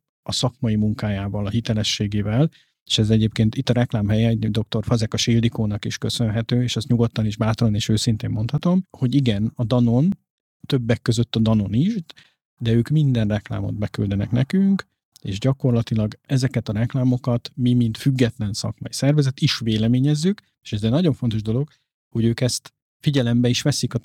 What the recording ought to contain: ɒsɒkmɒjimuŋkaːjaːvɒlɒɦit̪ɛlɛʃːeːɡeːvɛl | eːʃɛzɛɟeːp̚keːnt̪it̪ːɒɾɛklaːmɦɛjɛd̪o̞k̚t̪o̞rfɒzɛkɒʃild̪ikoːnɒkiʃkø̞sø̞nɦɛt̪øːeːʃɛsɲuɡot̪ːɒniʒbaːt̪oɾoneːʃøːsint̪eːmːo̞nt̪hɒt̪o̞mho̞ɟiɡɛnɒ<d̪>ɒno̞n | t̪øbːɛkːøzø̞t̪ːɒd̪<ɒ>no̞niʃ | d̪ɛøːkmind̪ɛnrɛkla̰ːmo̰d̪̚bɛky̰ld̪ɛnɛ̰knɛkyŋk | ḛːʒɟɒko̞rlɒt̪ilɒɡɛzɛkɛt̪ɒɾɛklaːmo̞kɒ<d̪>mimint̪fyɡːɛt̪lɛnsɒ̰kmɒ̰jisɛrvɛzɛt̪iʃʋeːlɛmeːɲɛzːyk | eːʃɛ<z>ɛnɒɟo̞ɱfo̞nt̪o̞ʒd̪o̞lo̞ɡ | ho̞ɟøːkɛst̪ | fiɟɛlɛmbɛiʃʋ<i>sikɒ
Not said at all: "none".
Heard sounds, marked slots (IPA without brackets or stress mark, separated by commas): d̪, ɒ, t̪, z, ɛ